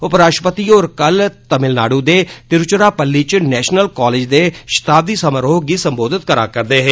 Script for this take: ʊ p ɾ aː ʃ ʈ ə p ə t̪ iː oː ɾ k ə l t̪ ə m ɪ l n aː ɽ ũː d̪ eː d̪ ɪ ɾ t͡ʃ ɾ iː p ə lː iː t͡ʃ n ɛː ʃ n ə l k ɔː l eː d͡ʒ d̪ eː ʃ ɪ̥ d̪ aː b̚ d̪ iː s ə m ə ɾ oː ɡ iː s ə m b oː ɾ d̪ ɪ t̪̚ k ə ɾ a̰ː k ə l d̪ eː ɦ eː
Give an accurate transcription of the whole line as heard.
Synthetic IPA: ʊ p ɾ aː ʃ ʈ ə p ə t̪ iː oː ɾ k ə l t̪ ə m ɪ l n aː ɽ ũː d̪ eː t̪ ɪ ɾ t͡ʃ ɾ aː p ə lː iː t͡ʃ n ɛː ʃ n ə l k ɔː l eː d͡ʒ d̪ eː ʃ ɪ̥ t̪ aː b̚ d̪ iː s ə m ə ɾ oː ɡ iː s ə m b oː d̪ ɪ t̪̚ k ə ɾ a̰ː k ə ɾ d̪ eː ɦ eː